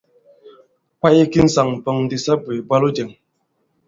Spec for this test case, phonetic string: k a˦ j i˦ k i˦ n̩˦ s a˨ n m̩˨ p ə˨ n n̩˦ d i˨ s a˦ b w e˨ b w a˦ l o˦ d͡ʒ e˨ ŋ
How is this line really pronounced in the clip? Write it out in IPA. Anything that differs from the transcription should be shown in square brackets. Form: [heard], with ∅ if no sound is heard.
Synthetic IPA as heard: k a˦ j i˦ k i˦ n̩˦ s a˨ [ŋ] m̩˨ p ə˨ [ŋ] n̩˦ d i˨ s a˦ b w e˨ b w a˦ l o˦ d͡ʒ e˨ ŋ